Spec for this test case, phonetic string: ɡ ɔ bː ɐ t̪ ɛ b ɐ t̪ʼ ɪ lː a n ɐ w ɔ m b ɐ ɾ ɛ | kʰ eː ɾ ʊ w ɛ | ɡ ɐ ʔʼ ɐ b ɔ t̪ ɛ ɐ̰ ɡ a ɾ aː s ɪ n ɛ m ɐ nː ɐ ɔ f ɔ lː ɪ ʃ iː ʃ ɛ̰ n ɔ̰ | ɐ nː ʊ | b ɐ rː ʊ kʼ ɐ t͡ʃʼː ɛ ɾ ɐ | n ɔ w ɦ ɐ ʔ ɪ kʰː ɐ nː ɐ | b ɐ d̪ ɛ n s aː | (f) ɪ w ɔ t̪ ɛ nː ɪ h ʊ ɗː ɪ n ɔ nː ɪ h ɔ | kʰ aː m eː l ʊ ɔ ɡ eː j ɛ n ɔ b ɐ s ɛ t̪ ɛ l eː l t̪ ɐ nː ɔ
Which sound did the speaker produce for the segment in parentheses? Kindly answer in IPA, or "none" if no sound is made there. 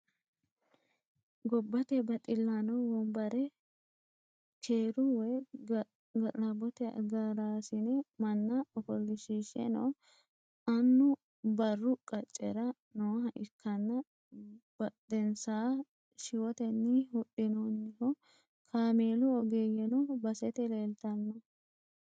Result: ʃ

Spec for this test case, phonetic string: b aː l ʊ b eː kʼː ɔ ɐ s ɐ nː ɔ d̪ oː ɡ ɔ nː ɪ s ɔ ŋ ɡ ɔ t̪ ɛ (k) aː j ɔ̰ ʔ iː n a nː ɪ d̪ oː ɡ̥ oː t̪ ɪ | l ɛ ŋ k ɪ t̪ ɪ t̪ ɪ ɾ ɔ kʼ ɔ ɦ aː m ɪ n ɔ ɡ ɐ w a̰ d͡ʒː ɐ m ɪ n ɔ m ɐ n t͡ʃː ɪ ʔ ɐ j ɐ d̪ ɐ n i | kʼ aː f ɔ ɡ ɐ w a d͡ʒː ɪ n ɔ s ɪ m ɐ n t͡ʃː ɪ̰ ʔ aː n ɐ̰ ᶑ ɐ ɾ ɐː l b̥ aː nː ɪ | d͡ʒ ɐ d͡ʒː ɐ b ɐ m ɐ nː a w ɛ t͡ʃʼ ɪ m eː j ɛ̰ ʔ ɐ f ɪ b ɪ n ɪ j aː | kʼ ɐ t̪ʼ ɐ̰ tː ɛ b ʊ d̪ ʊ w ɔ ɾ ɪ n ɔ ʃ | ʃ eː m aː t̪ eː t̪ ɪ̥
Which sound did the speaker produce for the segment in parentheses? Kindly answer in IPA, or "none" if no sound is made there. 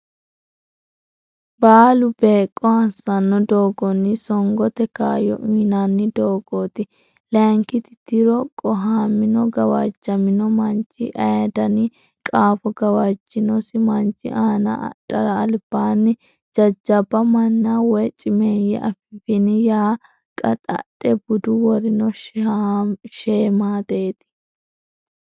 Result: k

